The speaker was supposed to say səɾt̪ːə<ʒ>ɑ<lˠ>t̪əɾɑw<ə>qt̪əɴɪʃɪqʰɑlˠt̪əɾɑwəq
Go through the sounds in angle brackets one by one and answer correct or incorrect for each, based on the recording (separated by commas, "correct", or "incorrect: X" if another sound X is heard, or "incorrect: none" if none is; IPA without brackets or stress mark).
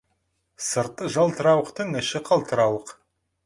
correct, correct, correct